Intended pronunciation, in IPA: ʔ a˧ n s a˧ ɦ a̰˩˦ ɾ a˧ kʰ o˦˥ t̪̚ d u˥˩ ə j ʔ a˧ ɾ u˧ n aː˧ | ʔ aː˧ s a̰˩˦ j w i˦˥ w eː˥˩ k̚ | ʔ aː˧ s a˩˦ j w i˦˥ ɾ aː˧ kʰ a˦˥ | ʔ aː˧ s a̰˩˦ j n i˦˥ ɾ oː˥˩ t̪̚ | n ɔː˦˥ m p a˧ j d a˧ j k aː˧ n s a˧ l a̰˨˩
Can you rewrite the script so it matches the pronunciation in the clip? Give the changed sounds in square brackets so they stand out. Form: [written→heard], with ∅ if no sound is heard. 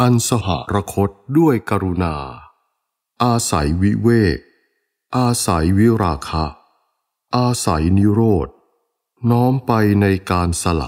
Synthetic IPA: ʔ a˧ n s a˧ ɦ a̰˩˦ ɾ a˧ kʰ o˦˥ t̪̚ d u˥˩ ə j [ʔ→k] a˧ ɾ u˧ n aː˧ | ʔ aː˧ s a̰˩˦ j w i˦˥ w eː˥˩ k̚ | ʔ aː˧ s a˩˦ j w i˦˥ ɾ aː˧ kʰ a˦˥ | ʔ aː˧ s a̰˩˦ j n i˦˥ ɾ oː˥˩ t̪̚ | n ɔː˦˥ m p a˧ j [d→n] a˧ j k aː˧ n s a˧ l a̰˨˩